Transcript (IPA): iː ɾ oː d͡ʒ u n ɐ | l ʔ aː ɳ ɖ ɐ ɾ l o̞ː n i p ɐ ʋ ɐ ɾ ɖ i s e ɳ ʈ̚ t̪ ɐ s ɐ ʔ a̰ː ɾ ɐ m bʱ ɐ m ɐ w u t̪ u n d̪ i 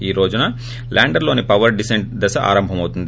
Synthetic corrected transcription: iː ɾ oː d͡ʒ u n ɐ | l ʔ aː ɳ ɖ ɐ ɾ l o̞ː n i p ɐ ʋ ɐ ɾ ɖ i s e ɳ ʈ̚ d̪ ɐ s ɐ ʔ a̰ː ɾ ɐ m bʱ ɐ m ɐ w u t̪ u n d̪ i